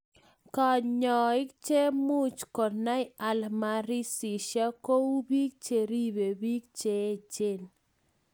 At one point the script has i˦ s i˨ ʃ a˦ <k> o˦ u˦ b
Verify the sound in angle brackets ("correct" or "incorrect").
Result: correct